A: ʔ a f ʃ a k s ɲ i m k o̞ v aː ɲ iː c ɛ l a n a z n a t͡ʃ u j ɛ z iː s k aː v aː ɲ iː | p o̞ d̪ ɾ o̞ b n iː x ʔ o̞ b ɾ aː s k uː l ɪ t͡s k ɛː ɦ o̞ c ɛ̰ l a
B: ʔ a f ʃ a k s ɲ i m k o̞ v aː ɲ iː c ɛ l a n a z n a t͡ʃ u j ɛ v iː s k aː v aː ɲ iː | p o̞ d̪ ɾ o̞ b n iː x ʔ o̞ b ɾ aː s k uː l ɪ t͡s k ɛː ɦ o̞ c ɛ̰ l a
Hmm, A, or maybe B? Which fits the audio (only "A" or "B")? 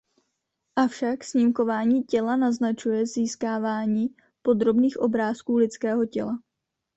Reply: A